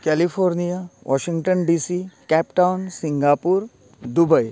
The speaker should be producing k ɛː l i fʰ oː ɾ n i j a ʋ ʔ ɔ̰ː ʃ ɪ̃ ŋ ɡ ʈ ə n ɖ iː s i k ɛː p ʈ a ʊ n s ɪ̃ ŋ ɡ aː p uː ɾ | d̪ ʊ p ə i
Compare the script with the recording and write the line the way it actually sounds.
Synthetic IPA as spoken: k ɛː l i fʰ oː ɾ n i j a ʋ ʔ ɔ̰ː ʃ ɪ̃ ŋ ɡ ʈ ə n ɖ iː s i k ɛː p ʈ a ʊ n s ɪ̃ ŋ ɡ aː p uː ɾ | d̪ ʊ b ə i